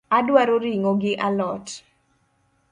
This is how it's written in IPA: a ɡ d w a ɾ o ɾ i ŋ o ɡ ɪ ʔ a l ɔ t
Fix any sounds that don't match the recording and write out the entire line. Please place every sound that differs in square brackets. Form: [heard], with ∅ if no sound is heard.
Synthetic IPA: a [∅] d w a ɾ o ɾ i ŋ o ɡ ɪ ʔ a l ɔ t